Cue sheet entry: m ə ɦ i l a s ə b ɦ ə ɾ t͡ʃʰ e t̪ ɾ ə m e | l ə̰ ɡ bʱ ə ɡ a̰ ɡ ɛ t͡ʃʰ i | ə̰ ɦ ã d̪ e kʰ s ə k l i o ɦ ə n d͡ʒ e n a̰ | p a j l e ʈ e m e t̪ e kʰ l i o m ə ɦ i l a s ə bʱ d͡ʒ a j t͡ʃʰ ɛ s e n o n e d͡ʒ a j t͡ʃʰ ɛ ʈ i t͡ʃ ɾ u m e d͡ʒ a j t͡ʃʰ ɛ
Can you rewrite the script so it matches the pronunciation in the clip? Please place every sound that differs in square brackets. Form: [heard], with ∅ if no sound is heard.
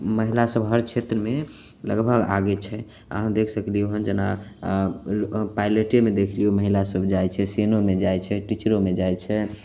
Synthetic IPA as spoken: m ə ɦ i l a s ə b ɦ ə ɾ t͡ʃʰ e t̪ ɾ ə m e | l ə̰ ɡ bʱ ə ɡ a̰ ɡ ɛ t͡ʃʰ [ɛ] | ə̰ ɦ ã d̪ e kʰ s ə k l i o ɦ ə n d͡ʒ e n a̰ | p a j l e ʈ e m e [d̪] e kʰ l i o m ə ɦ i l a s ə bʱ d͡ʒ a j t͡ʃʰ ɛ s e n o [m] e d͡ʒ a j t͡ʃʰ ɛ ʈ i t͡ʃ ɾ [o] m e d͡ʒ a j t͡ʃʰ ɛ